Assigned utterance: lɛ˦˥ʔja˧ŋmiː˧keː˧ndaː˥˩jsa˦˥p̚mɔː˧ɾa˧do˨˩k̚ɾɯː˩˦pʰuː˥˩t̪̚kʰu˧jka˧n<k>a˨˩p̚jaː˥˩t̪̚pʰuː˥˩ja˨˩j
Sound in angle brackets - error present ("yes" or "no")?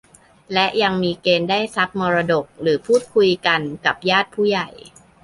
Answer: no